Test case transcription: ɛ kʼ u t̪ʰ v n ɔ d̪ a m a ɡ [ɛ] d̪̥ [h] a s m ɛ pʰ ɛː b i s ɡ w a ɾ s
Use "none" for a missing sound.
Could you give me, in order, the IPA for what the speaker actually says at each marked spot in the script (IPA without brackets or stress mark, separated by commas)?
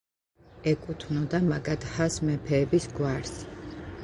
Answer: a, h